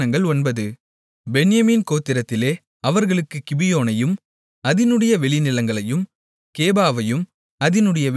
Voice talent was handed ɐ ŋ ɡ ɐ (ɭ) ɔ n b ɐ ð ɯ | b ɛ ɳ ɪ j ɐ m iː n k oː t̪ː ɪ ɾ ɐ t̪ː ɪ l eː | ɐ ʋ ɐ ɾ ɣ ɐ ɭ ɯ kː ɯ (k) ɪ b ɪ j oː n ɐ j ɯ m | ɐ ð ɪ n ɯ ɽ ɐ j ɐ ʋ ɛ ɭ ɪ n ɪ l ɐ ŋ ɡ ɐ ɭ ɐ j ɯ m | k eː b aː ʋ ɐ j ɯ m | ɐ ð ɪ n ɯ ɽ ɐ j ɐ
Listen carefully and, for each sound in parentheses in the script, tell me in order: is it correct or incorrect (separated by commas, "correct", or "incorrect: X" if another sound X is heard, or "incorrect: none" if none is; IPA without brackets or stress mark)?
correct, correct